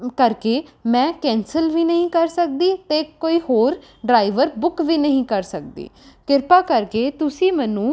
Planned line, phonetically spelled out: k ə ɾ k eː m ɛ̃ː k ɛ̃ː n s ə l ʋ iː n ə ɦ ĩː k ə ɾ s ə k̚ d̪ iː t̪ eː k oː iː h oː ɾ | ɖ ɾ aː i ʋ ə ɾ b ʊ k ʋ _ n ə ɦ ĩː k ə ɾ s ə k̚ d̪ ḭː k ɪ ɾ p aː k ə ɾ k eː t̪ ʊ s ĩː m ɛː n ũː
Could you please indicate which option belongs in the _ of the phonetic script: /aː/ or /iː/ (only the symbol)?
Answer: iː